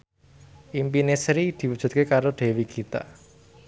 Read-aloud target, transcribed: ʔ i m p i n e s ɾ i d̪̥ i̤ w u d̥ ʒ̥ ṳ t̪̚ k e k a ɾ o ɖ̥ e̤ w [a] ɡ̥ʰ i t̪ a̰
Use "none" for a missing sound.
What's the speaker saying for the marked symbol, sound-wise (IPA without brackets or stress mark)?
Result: i